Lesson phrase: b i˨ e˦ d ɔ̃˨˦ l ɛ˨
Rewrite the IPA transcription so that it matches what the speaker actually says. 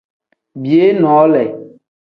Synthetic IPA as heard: b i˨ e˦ n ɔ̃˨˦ l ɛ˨

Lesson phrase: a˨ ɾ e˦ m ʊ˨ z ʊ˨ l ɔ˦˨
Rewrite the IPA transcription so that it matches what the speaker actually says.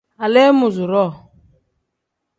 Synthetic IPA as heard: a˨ l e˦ m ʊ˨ z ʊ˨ ɾ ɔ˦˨

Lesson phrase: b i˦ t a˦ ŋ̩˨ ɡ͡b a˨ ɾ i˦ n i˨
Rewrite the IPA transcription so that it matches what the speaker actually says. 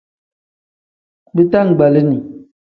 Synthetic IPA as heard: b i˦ t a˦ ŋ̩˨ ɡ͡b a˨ l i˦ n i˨

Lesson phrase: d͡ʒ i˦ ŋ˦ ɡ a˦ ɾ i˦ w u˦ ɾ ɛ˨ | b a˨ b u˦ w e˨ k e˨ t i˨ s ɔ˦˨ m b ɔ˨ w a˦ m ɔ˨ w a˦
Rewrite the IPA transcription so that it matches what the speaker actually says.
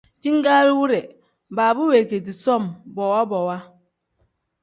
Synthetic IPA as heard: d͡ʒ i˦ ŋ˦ ɡ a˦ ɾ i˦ w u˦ ɾ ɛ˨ | b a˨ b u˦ w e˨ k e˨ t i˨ s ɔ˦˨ m b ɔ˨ w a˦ b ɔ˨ w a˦

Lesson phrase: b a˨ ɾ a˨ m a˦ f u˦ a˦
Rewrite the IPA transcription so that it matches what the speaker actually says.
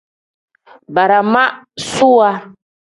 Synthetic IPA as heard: b a˨ ɾ a˨ m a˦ s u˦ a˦

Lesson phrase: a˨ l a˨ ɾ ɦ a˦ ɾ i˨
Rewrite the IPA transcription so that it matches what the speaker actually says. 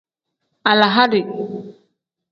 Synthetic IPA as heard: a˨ l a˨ ɦ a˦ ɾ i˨

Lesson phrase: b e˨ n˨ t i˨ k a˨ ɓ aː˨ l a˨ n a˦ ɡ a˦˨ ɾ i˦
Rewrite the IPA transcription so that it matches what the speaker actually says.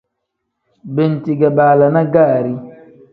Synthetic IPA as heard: b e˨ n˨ t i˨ ɡ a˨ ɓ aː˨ l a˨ n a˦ ɡ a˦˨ ɾ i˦

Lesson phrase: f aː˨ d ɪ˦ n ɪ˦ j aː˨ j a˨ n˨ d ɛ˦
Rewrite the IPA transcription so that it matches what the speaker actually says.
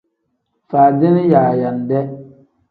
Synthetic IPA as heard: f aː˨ d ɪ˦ n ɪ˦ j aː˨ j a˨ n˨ d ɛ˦

